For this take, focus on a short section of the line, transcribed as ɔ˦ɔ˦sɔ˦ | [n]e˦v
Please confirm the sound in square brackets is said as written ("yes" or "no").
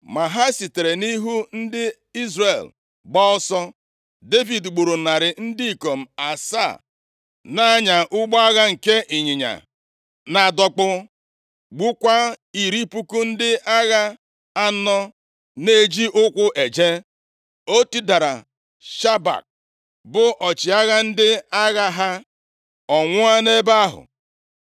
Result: no